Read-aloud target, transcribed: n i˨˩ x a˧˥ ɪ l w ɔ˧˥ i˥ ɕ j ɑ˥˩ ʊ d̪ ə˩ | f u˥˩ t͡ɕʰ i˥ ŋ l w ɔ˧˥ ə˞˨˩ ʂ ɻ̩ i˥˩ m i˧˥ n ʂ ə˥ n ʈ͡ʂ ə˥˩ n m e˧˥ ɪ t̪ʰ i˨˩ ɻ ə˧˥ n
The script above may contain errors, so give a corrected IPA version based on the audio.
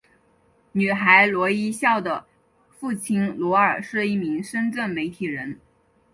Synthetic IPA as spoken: n y˨˩ x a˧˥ ɪ l w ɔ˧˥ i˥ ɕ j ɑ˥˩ ʊ d̪ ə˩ | f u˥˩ t͡ɕʰ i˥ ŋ l w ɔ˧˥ ə˞˨˩ ʂ ɻ̩ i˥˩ m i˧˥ ŋ ʂ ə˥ n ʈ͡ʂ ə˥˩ n m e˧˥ ɪ t̪ʰ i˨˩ ɻ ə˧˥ n